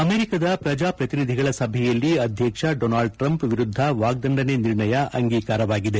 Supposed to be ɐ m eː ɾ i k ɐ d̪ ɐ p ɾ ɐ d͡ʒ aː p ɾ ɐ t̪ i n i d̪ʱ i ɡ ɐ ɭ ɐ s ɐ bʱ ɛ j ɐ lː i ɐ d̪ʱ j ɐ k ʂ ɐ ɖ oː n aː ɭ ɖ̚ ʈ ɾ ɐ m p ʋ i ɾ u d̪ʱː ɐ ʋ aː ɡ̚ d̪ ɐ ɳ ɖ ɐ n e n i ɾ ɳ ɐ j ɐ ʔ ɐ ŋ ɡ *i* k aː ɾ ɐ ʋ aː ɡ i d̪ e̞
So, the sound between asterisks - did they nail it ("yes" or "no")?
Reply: no